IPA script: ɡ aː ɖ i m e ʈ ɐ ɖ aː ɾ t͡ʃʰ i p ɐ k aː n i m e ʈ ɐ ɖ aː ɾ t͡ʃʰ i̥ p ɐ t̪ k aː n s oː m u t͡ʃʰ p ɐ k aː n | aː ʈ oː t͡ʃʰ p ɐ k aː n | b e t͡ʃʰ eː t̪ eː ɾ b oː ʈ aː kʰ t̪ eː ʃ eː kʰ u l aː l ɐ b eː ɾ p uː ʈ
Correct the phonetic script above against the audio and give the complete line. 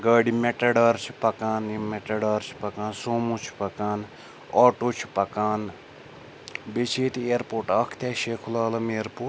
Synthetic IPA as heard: ɡ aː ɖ i m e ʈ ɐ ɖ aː ɾ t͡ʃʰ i p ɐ k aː n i m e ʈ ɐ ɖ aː ɾ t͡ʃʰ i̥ p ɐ k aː n s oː m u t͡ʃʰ p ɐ k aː n | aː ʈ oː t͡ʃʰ p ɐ k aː n | b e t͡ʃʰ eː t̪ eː ɾ p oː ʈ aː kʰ t̪ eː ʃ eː kʰ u l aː l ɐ m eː ɾ p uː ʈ